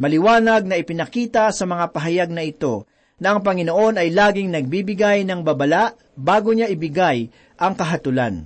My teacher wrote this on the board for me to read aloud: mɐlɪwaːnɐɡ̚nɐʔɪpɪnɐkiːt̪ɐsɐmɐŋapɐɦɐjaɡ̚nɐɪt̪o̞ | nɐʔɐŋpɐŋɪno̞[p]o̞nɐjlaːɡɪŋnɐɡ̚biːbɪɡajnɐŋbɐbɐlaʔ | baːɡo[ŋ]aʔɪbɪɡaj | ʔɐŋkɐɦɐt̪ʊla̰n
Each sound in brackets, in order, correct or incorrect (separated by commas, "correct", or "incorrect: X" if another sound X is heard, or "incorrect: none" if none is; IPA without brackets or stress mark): incorrect: ʔ, incorrect: ɲ